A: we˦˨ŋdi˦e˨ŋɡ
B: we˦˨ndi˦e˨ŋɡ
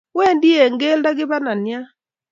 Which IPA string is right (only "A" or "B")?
B